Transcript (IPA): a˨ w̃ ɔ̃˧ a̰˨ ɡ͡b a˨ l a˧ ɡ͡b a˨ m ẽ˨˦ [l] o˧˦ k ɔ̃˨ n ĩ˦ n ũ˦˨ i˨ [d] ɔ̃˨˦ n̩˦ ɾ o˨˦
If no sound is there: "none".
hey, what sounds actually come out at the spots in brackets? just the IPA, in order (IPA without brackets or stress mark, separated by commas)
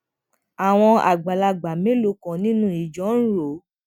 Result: l, d͡ʒ